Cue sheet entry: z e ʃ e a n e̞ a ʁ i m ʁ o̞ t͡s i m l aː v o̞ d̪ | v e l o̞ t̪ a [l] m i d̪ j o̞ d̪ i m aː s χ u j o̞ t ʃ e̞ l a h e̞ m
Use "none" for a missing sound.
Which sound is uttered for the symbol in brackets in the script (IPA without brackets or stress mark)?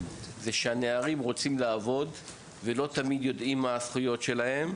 none